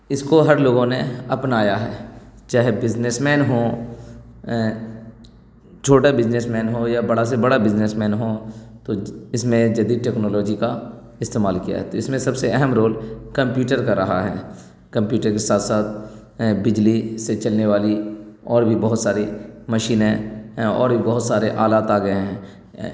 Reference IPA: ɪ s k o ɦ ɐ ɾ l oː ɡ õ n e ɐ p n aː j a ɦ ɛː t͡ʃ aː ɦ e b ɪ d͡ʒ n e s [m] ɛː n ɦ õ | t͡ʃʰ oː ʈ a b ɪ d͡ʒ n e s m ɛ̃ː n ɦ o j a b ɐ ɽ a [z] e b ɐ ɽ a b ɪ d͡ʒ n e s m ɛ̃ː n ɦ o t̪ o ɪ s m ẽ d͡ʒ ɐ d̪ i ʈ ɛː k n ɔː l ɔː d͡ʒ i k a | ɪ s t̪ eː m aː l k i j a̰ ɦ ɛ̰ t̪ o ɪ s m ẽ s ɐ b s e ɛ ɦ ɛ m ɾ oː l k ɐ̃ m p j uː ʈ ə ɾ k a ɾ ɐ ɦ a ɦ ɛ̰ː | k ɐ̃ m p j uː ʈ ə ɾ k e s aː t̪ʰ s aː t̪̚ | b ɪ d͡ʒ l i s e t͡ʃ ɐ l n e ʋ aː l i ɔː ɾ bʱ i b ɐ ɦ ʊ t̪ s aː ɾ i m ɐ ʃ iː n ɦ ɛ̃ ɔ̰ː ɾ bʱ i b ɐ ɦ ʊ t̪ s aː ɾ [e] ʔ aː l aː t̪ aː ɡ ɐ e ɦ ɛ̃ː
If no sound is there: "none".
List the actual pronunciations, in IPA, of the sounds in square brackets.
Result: m, s, e

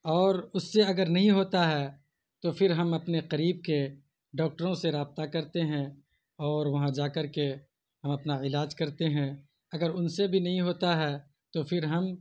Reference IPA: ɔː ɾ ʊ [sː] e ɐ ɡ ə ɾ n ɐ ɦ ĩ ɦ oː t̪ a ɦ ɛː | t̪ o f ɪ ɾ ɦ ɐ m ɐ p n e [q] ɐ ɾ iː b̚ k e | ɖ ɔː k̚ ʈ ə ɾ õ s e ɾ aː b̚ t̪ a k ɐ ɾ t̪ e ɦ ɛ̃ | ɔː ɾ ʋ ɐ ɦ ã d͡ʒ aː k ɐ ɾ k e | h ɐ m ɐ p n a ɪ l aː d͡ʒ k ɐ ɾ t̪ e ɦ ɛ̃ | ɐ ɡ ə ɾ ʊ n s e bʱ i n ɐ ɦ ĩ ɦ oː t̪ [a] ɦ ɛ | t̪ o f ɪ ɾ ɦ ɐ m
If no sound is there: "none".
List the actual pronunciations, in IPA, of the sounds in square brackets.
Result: sː, q, a

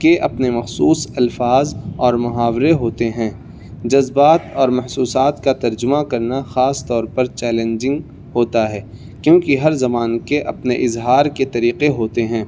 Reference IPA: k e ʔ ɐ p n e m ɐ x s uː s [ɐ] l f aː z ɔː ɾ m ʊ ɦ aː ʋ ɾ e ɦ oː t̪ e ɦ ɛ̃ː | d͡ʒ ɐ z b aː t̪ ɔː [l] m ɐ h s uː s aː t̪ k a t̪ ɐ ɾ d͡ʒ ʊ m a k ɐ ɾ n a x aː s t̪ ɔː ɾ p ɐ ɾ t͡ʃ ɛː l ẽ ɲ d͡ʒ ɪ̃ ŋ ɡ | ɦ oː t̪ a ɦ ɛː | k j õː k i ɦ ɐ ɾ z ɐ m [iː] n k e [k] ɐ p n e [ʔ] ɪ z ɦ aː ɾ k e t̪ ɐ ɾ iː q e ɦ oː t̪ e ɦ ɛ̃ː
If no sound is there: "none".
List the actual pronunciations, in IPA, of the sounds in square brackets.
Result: ɐ, ɾ, aː, ʔ, ʔ

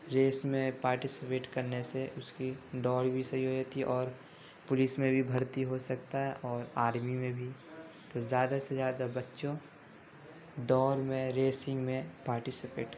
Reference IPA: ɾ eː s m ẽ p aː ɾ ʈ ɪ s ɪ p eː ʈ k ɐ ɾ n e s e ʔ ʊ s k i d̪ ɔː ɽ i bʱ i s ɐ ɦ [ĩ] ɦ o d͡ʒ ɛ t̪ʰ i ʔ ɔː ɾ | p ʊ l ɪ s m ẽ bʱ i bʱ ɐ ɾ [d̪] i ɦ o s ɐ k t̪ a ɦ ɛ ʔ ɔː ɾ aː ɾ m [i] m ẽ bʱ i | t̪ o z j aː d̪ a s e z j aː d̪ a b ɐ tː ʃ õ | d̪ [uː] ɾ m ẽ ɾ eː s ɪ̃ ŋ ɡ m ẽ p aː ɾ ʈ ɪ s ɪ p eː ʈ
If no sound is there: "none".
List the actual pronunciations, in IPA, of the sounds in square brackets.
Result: i, t̪, i, ɔː

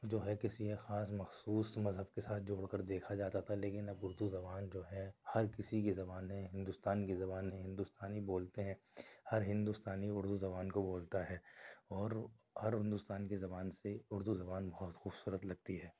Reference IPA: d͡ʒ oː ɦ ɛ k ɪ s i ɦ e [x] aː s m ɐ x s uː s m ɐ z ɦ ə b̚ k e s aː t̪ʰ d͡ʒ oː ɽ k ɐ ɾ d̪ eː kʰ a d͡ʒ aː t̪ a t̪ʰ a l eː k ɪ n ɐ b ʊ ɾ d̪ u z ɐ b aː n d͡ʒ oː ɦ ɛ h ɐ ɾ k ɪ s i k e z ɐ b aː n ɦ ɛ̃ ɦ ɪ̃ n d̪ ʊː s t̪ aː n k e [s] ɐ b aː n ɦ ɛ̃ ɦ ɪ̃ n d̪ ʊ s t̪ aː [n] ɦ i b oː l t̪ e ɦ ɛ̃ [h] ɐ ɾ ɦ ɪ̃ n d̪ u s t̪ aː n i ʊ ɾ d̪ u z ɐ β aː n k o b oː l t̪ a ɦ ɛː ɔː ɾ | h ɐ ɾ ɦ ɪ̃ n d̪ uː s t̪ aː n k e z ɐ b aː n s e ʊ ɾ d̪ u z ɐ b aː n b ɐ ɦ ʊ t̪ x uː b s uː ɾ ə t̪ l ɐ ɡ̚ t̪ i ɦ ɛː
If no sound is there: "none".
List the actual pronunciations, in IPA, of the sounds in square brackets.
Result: x, z, n, h

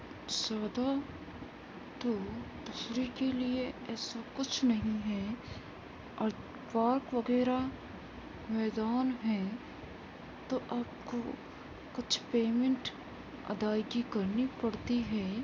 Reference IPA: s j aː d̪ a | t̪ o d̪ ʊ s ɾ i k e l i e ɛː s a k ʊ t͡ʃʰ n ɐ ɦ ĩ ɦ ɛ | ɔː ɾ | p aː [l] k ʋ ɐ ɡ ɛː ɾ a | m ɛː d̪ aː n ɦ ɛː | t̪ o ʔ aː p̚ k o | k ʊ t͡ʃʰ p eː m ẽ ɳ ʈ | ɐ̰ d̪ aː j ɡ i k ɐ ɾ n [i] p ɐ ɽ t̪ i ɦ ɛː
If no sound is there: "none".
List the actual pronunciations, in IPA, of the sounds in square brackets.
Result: ɾ, i

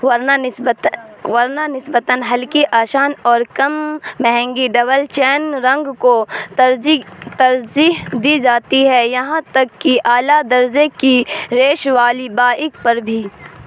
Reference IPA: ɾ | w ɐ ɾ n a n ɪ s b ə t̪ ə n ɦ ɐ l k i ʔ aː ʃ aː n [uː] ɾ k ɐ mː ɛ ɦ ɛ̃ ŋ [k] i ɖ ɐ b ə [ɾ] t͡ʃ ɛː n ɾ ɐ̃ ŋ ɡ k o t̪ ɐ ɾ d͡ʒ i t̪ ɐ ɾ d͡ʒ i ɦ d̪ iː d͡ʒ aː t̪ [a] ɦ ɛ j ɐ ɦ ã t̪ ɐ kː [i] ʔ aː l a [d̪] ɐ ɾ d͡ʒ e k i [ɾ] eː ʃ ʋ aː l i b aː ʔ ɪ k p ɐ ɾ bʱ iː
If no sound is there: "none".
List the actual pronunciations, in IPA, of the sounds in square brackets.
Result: ɔː, ɡ, l, i, i, d̪, ɾ

